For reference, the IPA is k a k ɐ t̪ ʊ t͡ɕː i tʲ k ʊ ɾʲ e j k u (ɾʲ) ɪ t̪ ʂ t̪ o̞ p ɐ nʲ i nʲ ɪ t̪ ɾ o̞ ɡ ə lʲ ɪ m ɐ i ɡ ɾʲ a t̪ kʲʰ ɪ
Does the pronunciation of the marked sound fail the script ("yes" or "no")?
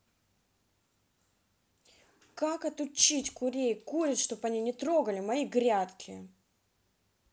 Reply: no